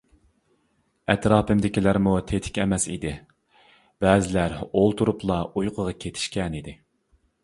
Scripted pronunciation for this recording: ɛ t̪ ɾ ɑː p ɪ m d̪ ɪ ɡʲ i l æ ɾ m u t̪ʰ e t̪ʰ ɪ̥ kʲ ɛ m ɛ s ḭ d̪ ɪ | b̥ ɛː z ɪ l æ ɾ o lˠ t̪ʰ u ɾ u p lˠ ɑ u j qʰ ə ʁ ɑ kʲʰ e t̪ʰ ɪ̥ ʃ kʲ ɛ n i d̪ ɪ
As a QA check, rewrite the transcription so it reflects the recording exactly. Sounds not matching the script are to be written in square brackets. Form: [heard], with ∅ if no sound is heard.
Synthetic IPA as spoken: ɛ t̪ ɾ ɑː p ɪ m d̪ ɪ [kʲ] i l æ ɾ m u t̪ʰ e t̪ʰ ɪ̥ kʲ ɛ m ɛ s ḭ d̪ ɪ | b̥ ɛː z ɪ l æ ɾ o lˠ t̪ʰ u ɾ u p lˠ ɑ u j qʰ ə ʁ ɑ kʲʰ e t̪ʰ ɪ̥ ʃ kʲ ɛ n i d̪ ɪ